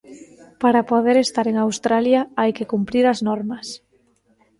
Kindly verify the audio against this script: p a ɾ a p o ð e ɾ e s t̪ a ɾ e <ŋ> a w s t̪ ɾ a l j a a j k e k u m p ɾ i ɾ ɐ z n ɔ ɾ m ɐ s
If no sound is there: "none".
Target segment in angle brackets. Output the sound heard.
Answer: ŋ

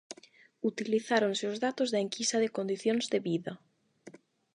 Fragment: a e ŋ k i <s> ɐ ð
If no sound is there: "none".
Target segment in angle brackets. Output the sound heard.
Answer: s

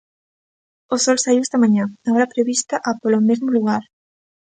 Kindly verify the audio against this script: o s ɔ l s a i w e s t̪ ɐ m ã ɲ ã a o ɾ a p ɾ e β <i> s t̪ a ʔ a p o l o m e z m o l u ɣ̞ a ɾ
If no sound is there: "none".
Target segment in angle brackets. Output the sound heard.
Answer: i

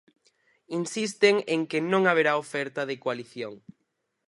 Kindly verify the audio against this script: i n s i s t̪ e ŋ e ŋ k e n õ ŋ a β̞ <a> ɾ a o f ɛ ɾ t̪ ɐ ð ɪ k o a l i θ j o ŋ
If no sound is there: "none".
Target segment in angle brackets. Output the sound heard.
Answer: e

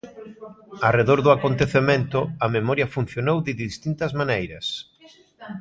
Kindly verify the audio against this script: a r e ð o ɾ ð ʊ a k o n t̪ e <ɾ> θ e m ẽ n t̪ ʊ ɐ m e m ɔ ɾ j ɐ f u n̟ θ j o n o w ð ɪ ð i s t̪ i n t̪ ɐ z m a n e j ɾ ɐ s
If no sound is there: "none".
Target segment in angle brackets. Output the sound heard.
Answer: none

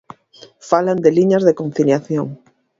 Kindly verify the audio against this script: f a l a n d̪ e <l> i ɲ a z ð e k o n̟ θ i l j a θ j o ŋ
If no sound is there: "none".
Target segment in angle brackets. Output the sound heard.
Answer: l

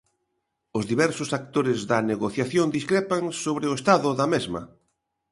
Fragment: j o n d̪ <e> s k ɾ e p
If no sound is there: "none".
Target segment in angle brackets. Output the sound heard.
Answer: i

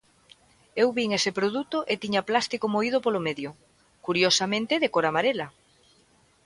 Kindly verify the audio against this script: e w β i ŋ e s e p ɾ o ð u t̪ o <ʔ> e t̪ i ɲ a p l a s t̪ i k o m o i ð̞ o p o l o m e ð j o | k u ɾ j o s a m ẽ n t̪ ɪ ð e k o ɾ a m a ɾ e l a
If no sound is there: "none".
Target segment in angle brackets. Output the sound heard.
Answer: ʔ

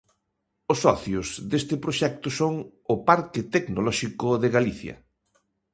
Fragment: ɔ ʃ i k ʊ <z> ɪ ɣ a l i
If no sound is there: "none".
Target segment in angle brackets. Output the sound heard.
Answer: ð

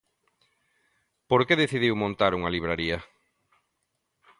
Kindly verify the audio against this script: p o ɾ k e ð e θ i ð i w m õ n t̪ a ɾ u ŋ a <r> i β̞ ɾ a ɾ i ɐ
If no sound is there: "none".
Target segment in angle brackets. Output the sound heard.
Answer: l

